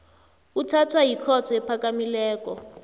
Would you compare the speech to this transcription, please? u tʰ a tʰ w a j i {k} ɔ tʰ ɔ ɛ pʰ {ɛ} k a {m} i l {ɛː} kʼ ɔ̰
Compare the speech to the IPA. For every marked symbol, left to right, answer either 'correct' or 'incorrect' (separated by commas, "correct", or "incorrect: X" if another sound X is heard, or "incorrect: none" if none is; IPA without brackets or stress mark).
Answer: incorrect: kʰ, incorrect: a, correct, correct